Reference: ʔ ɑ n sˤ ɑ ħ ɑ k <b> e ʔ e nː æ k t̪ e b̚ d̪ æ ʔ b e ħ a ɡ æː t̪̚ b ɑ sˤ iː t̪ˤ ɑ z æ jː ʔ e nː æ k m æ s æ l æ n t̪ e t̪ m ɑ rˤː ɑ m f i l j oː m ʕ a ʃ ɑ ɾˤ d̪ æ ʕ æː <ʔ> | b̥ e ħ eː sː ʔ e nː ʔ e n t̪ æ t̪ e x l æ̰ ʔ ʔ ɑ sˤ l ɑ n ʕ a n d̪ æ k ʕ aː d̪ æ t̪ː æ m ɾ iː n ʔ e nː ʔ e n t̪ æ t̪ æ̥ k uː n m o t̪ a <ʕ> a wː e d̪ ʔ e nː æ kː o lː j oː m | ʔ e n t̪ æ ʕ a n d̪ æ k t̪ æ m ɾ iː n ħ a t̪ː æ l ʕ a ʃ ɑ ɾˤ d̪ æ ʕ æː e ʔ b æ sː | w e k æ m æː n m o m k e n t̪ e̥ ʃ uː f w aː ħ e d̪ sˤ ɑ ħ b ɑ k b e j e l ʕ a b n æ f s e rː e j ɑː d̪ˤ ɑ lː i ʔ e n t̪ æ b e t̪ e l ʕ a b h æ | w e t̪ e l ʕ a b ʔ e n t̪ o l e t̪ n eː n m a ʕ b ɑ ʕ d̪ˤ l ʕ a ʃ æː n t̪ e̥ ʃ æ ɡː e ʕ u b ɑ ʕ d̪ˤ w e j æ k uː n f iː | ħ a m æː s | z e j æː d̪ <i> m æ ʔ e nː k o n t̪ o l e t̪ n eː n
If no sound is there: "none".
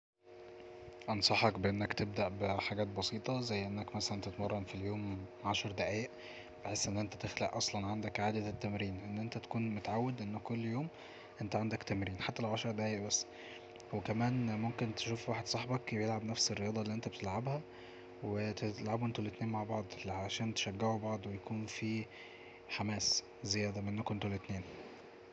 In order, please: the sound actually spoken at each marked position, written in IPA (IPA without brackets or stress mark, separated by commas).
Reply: b, ʔ, ʕ, æ